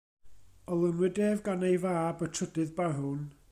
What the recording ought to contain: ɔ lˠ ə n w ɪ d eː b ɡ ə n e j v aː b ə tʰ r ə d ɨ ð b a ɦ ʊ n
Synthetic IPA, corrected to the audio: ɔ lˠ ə n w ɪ d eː v ɡ a n e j v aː b ə tʰ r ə d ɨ ð b a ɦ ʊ n